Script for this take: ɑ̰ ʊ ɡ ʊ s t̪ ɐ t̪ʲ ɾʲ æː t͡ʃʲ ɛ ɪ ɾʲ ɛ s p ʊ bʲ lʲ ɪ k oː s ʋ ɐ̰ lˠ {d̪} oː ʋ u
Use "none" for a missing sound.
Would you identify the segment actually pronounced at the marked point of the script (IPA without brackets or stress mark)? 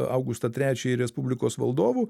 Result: d̪